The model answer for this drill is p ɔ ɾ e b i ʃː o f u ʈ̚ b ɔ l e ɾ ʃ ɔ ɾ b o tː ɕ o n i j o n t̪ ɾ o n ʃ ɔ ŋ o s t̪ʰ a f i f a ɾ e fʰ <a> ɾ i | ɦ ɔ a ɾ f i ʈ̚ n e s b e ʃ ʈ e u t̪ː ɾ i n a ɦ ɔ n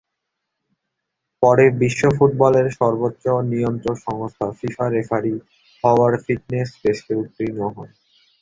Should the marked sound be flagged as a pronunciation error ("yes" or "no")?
no